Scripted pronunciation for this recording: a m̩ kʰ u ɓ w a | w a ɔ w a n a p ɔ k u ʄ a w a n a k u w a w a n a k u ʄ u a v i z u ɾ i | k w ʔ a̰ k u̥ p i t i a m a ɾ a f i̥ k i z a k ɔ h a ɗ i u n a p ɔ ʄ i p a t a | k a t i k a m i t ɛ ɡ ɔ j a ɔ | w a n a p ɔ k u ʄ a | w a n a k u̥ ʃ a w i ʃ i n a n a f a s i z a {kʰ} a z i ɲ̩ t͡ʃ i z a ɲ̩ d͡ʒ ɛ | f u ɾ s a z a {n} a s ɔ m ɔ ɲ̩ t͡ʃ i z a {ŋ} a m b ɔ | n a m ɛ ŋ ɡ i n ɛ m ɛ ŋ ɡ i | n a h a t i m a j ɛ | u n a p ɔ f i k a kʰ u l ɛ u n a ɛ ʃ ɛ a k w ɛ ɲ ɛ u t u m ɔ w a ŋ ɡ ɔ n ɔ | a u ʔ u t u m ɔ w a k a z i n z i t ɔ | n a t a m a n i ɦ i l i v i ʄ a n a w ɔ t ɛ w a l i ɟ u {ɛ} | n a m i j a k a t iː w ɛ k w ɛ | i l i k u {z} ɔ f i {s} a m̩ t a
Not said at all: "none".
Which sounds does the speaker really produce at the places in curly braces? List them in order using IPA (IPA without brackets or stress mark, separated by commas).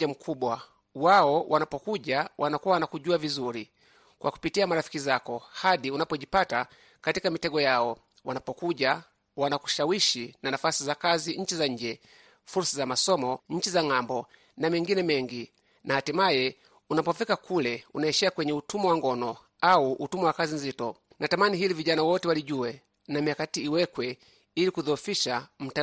k, m, ŋ, ɛ, ð, ʃ